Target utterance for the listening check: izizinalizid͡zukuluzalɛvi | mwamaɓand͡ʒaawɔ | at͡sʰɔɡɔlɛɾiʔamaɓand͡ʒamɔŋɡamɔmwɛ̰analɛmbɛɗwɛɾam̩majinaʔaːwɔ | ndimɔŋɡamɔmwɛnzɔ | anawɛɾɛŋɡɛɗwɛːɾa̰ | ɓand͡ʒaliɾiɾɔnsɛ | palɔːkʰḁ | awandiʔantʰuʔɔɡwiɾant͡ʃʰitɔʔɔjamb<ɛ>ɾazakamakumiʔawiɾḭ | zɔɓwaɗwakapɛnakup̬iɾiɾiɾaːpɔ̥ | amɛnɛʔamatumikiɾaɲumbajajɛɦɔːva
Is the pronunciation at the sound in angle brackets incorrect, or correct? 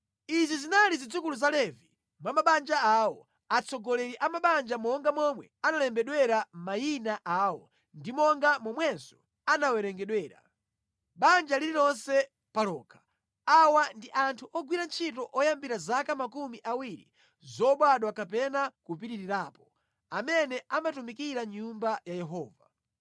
incorrect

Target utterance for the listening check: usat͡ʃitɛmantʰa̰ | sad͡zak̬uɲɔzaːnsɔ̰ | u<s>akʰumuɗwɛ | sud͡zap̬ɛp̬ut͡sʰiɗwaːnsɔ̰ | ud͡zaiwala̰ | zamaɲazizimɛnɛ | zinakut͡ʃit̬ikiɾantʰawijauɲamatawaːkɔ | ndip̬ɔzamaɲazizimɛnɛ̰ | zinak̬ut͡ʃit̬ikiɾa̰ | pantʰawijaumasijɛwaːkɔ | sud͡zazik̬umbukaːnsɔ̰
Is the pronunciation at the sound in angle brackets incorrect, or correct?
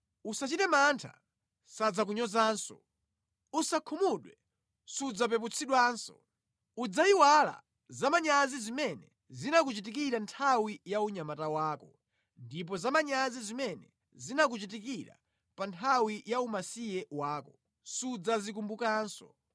correct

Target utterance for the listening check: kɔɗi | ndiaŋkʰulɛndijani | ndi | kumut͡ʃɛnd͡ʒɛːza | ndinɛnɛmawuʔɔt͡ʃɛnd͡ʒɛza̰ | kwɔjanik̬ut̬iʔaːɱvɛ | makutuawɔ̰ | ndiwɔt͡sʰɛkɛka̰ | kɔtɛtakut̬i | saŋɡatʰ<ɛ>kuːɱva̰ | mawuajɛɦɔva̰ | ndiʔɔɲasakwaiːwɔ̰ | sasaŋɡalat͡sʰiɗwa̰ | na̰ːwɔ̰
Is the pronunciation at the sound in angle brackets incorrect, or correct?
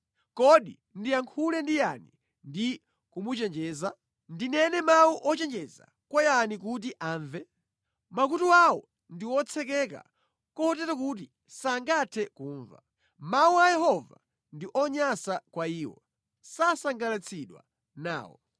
correct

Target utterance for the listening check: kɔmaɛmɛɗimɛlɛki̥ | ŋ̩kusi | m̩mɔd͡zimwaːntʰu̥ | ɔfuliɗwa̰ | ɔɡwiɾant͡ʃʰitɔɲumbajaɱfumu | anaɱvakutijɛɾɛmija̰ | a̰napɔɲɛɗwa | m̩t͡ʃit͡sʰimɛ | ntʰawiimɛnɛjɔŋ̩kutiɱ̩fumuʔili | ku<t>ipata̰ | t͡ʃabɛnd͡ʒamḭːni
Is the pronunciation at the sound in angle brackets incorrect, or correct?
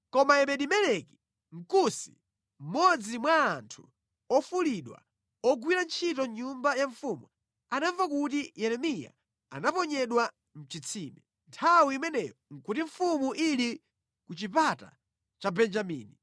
incorrect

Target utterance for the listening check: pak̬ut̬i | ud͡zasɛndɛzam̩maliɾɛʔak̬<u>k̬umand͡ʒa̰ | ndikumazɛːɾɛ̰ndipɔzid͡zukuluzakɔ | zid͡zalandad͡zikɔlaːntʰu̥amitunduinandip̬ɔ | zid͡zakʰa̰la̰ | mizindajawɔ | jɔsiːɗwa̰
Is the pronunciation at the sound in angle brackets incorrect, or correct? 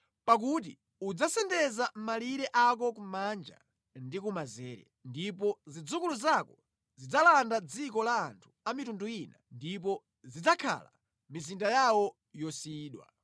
incorrect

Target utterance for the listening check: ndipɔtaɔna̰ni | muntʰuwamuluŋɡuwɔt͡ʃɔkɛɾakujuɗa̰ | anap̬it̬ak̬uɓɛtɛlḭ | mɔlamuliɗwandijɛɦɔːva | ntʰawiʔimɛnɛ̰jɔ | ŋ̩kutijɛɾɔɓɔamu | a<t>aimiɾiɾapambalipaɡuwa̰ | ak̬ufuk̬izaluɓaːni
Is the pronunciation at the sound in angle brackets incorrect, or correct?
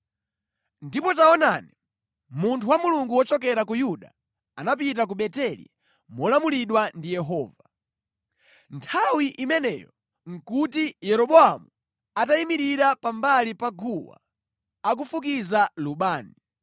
correct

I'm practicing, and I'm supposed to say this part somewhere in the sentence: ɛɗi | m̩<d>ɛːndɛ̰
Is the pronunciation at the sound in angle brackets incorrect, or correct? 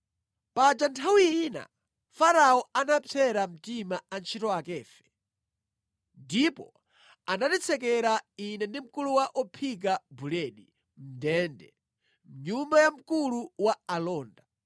correct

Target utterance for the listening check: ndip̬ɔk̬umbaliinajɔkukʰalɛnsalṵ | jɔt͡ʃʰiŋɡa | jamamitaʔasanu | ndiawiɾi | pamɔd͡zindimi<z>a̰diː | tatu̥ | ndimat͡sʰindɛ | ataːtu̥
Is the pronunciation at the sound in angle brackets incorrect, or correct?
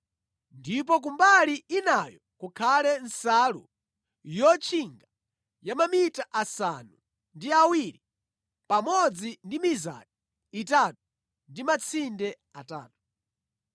correct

